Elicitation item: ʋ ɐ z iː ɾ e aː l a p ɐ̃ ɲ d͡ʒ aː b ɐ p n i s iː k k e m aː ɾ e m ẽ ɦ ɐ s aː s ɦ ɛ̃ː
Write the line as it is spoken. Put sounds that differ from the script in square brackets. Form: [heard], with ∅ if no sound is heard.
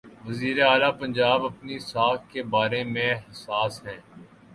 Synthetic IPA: ʋ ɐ z iː ɾ e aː l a p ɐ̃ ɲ d͡ʒ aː b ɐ p n i s [aː] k k e [b] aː ɾ e m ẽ ɦ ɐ s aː s ɦ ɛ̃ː